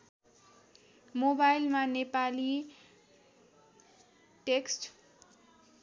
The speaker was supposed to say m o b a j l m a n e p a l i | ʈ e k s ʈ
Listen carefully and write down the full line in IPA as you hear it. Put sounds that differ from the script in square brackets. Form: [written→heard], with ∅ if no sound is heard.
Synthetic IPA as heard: m o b a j l m a n e p a l i | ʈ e k s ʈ